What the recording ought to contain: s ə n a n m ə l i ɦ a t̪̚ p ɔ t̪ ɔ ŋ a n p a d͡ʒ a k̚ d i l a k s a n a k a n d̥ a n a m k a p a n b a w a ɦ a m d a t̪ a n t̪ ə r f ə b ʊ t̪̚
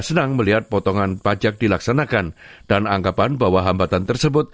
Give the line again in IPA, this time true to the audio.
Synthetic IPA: s ə n a ŋ m ə l i ɦ a t̪̚ p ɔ t̪ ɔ ŋ a n p a d͡ʒ a k̚ d i l a k s a n a k a n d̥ a n a ŋ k a p a n b a w a ɦ a m b a t̪ a n t̪ ə r s ə b ʊ t̪̚